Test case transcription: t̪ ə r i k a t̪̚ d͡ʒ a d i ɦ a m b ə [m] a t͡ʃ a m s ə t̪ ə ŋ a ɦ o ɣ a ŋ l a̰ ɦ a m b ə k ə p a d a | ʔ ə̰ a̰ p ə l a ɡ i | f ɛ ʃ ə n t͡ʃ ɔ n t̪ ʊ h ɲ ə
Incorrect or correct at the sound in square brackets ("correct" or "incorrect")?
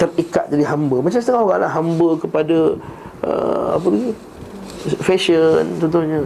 correct